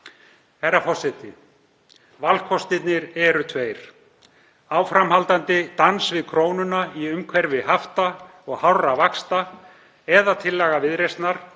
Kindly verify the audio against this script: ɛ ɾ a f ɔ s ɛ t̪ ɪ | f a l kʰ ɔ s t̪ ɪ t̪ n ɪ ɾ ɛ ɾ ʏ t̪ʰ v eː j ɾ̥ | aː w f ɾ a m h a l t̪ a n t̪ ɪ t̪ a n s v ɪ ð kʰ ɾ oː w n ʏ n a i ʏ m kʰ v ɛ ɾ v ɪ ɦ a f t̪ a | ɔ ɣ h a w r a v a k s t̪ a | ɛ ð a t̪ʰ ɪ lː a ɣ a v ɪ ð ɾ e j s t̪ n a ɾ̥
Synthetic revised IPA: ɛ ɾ a f ɔ s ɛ t̪ ɪ | v a l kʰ ɔ s t̪ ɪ t̪ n ɪ ɾ ɛ ɾ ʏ t̪ʰ v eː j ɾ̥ | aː w f ɾ a m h a l t̪ a n t̪ ɪ t̪ a n s v ɪ ð kʰ ɾ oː w n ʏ n a i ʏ m kʰ v ɛ ɾ v ɪ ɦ a f t̪ a | ɔ ɣ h a w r a v a k s t̪ a | ɛ ð a t̪ʰ ɪ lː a ɣ a v ɪ ð ɾ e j s t̪ n a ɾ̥